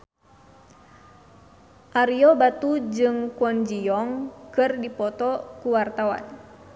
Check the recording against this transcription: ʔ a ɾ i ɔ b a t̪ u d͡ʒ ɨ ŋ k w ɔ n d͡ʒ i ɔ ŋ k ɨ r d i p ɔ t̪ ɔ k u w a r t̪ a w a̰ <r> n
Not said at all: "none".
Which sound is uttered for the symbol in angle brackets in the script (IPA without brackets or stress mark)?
none